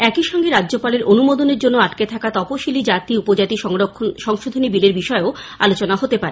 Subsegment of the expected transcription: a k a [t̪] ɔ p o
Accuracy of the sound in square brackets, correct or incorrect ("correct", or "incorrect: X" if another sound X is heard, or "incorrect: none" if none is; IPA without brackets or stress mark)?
correct